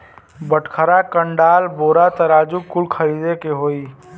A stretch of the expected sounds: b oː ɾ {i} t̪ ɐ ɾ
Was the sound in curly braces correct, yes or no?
no